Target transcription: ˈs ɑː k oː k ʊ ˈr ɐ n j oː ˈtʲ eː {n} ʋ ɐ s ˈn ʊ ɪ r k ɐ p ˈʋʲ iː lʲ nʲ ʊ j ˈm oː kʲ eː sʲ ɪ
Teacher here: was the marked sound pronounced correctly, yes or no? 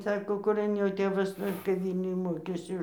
no